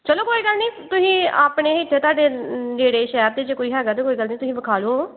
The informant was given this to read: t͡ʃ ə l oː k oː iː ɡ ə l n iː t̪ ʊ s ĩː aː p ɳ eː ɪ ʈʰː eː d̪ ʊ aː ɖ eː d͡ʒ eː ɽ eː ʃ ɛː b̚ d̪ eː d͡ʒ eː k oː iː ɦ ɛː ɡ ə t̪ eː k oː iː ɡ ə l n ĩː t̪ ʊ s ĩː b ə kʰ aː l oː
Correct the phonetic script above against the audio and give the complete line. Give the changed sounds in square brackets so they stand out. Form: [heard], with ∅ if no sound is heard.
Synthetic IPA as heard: t͡ʃ ə l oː k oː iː ɡ ə l n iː t̪ ʊ s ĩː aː p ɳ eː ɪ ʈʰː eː [t̪] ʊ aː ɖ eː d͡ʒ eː ɽ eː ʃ ɛː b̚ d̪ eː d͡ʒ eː k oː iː ɦ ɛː ɡ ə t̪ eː k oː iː ɡ ə l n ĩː t̪ ʊ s ĩː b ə kʰ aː l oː